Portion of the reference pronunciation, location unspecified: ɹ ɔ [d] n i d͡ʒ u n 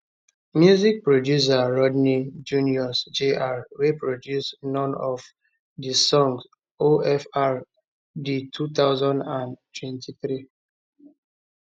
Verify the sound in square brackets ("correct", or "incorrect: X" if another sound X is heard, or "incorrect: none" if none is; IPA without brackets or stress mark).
correct